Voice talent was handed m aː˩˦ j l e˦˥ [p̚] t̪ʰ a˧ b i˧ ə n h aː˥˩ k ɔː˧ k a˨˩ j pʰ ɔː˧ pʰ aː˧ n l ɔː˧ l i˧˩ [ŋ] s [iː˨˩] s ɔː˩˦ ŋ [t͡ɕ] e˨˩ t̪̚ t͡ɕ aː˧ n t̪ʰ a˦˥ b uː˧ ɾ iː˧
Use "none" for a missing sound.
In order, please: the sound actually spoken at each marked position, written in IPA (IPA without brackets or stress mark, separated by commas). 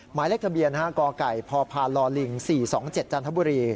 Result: k̚, ŋ, iː˨˩, t͡ɕ